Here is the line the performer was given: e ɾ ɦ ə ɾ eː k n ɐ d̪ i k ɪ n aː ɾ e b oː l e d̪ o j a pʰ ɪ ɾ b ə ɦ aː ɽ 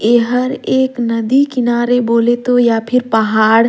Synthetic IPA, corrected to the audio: e ɦ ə ɾ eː k n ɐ d̪ i k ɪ n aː ɾ e b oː l e t̪ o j a pʰ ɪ ɾ p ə ɦ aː ɽ